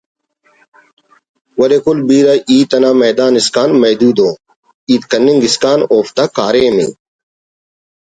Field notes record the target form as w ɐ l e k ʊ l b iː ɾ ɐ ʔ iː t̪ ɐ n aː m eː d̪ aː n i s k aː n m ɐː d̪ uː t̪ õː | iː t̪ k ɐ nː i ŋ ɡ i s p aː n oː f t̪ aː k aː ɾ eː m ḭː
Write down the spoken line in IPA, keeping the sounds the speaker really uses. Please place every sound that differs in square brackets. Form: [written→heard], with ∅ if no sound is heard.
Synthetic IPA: w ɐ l e k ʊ l b iː ɾ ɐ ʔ iː t̪ ɐ n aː m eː d̪ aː n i s k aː n m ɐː d̪ uː [t̪→d̪] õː | iː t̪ k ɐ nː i ŋ ɡ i s [p→k] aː n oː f t̪ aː k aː ɾ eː m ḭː